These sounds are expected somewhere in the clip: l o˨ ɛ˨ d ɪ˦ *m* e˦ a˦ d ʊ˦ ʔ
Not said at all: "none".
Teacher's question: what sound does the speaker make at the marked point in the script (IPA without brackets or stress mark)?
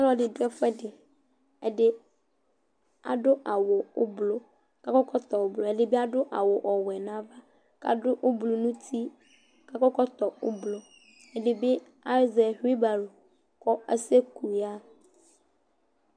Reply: b